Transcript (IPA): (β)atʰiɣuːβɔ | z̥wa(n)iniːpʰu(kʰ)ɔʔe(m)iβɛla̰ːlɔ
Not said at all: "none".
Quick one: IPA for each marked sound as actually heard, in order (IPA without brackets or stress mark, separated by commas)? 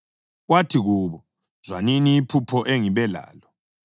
w, n, pʰ, ŋ